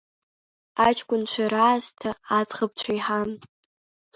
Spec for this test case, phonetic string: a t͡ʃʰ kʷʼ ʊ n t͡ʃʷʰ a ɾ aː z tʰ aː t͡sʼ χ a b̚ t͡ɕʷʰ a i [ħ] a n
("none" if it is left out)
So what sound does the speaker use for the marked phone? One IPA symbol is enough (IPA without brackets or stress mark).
ħ